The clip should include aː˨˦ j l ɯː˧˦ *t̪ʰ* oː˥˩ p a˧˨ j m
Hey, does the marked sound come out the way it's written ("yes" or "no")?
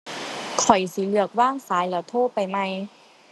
yes